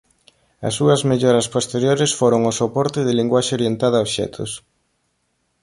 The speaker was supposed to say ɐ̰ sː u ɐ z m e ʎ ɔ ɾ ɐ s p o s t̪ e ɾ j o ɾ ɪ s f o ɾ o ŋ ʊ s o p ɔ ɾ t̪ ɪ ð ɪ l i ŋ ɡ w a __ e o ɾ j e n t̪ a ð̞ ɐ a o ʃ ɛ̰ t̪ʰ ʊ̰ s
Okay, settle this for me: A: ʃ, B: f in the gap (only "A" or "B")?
A